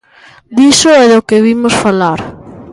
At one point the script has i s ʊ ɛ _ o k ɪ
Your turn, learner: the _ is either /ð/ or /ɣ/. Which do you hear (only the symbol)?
ð